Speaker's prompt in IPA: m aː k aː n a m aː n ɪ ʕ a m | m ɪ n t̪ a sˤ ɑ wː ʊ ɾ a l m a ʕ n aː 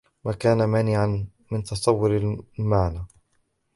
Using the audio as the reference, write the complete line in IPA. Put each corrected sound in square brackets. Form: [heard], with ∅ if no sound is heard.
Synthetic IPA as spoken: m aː k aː n a m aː n ɪ ʕ a [n] | m ɪ n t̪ [ɑ] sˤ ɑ wː ʊ ɾ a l m a ʕ n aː